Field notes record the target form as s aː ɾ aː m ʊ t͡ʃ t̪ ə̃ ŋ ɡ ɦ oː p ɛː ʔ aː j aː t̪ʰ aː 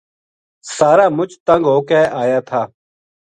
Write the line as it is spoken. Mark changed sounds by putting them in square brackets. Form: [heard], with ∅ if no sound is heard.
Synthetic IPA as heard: s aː ɾ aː m ʊ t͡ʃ t̪ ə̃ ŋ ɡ ɦ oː [k] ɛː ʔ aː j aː t̪ʰ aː